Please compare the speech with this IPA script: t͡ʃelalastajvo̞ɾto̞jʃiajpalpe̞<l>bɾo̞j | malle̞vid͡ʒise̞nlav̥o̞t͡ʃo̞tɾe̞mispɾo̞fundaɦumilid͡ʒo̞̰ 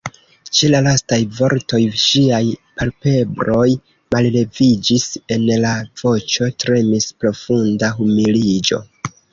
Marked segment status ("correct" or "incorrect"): incorrect